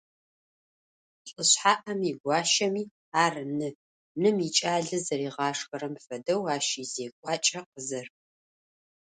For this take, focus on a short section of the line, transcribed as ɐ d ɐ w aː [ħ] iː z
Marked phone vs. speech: incorrect: ʃ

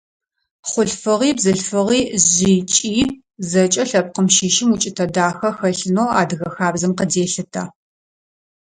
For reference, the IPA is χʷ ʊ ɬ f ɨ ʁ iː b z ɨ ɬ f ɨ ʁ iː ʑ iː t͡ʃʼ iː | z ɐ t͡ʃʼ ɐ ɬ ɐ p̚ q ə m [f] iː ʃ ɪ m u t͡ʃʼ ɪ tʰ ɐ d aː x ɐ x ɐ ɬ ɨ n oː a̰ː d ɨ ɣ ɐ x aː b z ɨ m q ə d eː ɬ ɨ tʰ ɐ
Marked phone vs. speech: incorrect: ʃ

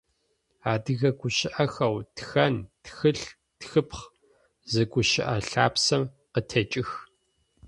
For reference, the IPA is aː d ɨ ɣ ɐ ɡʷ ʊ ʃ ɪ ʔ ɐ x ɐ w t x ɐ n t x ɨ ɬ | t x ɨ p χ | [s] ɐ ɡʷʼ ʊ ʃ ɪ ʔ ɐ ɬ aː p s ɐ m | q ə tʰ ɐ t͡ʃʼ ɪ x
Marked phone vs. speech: incorrect: z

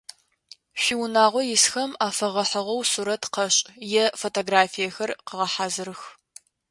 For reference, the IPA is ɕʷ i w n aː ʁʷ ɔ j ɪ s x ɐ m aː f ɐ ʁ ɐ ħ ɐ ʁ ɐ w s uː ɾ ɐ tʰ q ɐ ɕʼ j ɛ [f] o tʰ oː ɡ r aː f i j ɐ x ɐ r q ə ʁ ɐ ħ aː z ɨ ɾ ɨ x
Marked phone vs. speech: correct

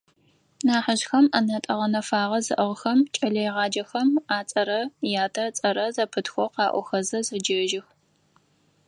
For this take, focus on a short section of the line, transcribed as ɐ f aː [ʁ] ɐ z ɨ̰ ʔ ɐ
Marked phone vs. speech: correct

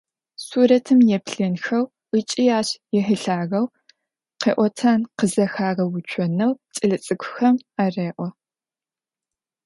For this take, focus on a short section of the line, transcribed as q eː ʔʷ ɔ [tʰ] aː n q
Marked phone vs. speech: correct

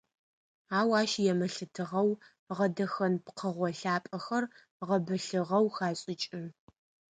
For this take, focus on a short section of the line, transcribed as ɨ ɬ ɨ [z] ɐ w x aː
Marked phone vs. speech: incorrect: ʁ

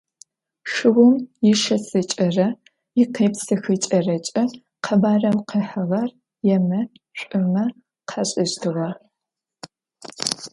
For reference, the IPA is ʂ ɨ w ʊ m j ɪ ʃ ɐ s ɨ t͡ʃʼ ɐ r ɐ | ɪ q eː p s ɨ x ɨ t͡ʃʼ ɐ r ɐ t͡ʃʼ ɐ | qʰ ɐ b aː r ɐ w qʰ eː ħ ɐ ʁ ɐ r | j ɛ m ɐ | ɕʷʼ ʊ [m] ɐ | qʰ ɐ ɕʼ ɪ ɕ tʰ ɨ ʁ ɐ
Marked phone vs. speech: correct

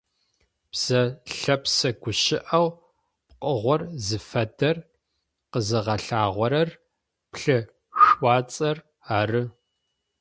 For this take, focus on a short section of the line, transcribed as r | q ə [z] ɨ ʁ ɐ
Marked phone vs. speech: correct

